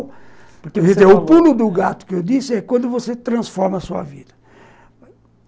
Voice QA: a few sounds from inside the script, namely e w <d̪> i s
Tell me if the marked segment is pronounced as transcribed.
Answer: yes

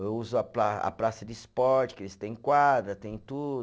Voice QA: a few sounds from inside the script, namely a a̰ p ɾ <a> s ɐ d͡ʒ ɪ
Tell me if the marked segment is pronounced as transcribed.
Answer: yes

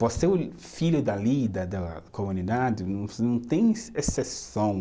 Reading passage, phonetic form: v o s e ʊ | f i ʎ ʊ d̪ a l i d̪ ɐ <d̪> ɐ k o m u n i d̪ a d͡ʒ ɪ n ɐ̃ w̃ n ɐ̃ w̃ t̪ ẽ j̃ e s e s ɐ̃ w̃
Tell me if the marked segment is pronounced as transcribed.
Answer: yes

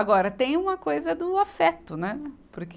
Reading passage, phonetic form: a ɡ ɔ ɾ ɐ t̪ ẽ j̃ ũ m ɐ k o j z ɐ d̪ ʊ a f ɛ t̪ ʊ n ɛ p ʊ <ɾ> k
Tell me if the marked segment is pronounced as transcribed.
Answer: yes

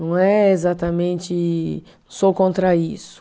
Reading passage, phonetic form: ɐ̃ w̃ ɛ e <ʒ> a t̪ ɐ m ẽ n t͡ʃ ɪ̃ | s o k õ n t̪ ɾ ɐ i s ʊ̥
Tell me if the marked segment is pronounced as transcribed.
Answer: no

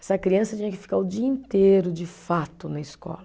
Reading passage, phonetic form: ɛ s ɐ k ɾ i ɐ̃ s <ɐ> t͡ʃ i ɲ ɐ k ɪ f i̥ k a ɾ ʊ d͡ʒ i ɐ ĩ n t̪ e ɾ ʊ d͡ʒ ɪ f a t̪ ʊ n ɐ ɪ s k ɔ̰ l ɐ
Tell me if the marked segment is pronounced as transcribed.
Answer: yes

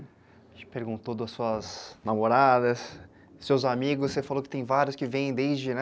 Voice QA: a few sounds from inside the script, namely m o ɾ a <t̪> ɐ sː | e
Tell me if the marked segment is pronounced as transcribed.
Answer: no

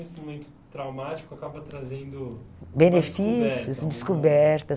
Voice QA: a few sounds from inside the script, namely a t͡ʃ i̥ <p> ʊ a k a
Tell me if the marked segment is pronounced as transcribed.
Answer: no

